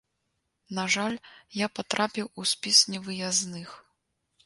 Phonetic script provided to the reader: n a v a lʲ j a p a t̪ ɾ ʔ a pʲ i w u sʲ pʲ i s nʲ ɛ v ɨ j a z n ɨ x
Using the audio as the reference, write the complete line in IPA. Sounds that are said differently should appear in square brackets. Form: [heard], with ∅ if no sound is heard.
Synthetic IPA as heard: n a [ʐ] a lʲ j a p a t̪ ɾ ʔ a pʲ i w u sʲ pʲ i s nʲ ɛ v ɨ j a z n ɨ x